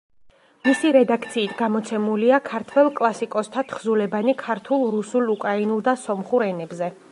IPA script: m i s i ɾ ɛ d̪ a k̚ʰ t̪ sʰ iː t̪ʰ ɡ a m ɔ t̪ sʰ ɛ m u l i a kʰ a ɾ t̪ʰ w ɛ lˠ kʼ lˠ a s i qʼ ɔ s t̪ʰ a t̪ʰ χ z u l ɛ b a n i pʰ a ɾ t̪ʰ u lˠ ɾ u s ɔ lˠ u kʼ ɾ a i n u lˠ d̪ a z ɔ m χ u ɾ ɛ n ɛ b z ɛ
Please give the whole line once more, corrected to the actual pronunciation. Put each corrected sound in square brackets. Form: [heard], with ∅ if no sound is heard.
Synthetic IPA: m i s i ɾ ɛ d̪ a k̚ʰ t̪ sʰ iː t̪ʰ ɡ a m ɔ t̪ sʰ ɛ m u l i a kʰ a ɾ t̪ʰ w ɛ lˠ kʼ lˠ a s i [kʼ] ɔ s t̪ʰ a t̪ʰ χ z u l ɛ b a n i [kʰ] a ɾ t̪ʰ u lˠ ɾ u s [u] lˠ u kʼ ɾ a i n u lˠ d̪ a [s] ɔ m χ u ɾ ɛ n ɛ b z ɛ